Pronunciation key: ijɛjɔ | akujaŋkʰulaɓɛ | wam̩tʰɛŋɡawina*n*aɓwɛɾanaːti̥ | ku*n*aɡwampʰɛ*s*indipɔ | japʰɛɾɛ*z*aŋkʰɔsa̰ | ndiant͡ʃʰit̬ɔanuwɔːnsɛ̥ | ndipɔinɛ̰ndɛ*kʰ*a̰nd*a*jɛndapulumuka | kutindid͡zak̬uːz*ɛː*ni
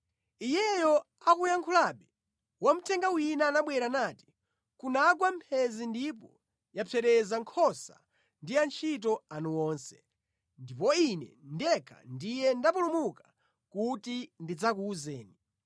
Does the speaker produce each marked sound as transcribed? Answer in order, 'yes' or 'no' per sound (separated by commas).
yes, yes, no, yes, yes, no, yes